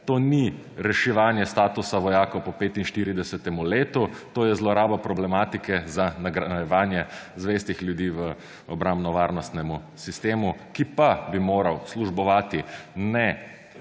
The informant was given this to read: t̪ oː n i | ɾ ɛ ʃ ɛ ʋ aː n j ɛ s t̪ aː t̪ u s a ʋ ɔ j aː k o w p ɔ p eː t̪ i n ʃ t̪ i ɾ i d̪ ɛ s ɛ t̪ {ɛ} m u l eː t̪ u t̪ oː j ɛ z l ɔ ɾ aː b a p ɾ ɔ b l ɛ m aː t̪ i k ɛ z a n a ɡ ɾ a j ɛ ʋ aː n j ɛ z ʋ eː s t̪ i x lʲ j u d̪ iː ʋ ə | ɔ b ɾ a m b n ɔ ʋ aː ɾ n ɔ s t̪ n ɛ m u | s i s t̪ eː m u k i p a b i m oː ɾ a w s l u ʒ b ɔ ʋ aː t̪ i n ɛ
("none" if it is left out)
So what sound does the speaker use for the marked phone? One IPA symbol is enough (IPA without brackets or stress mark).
ɛ